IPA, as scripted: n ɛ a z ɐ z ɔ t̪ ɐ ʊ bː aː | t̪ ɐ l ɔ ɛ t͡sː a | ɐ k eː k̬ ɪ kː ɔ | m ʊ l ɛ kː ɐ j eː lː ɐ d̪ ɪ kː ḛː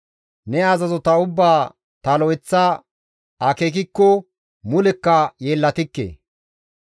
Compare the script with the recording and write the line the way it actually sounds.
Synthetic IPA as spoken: n ɛ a z ɐ z ɔ t̪ ɐ ʊ bː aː | t̪ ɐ l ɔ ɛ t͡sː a | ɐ k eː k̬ ɪ kː ɔ | m ʊ l ɛ kː ɐ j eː lː ɐ t̪ ɪ kː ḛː